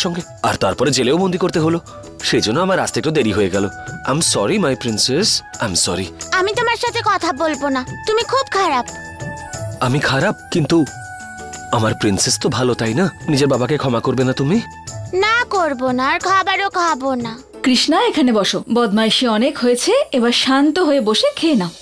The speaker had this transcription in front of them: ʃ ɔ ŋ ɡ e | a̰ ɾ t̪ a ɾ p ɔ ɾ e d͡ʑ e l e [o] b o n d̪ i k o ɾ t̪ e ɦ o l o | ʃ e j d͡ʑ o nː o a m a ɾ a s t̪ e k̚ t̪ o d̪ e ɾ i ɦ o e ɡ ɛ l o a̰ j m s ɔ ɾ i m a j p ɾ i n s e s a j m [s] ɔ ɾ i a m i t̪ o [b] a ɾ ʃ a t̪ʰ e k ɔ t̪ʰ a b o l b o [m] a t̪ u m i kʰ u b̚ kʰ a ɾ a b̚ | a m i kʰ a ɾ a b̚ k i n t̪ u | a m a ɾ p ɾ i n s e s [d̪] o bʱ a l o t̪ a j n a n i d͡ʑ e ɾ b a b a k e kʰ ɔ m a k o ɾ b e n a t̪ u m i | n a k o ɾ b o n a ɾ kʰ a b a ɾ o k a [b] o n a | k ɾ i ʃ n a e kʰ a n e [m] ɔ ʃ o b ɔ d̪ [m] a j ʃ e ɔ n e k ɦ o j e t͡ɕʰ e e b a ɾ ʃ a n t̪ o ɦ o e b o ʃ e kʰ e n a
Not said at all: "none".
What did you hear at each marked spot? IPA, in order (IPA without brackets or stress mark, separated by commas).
o, s, m, n, t̪, b, b, m